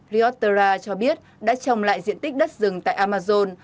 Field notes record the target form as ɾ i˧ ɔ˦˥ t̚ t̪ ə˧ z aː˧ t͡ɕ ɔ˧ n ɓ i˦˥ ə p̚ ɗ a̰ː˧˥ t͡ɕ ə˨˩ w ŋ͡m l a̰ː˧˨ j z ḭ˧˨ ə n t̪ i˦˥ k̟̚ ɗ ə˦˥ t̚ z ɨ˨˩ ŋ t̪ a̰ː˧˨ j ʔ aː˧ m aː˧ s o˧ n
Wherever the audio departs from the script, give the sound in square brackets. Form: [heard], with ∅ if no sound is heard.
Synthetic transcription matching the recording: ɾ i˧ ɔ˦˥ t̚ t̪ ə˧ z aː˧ t͡ɕ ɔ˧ [∅] ɓ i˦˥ ə [t̚] ɗ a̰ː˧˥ t͡ɕ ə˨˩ w ŋ͡m l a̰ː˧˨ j z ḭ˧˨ ə n t̪ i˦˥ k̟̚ ɗ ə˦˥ t̚ z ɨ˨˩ ŋ t̪ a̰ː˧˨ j ʔ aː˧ m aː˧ [z] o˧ n